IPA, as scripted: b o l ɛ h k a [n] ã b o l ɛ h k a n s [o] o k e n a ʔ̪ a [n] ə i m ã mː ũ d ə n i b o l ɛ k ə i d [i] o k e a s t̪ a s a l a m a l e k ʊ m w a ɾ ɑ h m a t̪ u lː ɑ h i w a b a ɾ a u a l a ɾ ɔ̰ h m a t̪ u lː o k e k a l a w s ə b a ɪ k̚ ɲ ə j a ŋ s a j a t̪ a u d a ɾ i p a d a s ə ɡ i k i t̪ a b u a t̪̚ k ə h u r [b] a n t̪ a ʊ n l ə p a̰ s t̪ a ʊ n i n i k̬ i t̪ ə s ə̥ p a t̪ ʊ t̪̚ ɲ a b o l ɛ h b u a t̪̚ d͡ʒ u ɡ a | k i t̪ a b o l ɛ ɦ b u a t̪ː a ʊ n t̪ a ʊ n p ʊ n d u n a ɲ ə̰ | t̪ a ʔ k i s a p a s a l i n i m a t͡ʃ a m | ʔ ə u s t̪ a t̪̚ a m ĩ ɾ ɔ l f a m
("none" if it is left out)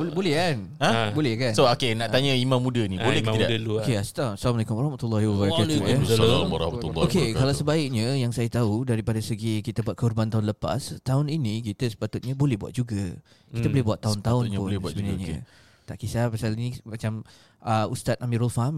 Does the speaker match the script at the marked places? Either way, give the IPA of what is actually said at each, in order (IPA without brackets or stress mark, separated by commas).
n, o, ɲ, a, b